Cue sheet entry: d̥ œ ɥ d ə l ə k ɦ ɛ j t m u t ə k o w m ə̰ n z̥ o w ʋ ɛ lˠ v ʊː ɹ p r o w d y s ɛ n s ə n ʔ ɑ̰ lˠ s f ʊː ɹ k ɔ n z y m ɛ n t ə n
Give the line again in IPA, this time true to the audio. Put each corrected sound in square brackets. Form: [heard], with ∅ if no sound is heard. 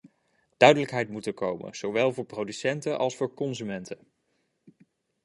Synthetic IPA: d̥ œ ɥ d ə l ə k ɦ ɛ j t m u t ə k o w m ə̰ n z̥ o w ʋ ɛ lˠ v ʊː ɹ p r o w d y s ɛ n [t] ə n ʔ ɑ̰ lˠ s f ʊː ɹ k ɔ n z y m ɛ n t ə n